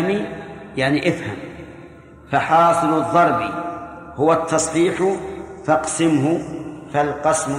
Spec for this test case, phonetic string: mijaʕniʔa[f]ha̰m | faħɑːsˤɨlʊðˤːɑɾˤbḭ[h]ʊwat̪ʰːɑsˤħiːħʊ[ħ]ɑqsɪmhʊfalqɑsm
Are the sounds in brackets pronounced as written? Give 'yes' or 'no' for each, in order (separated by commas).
yes, yes, no